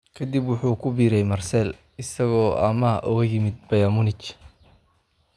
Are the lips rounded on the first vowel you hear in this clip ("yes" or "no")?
no